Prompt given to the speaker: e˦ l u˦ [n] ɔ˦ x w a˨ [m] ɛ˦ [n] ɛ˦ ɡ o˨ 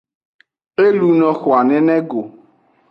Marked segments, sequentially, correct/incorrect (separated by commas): correct, incorrect, correct